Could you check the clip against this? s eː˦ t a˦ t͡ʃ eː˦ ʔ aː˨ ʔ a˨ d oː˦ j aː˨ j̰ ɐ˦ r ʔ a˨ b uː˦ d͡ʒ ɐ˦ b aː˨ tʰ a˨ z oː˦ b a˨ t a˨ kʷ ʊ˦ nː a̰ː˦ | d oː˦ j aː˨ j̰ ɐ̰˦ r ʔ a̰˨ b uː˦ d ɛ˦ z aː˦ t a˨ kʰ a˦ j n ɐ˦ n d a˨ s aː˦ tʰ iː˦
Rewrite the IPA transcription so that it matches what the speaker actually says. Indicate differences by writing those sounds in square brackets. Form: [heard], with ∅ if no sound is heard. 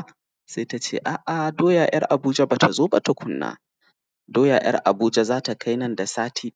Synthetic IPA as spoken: s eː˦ t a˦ t͡ʃ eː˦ ʔ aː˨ ʔ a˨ d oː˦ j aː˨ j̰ ɐ˦ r ʔ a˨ b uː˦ d͡ʒ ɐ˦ b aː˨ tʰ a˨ z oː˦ b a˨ t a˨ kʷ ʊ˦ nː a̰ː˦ | d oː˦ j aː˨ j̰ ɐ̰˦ r ʔ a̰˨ b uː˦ [d͡ʒ] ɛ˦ z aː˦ t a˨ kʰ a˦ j n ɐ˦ n d a˨ s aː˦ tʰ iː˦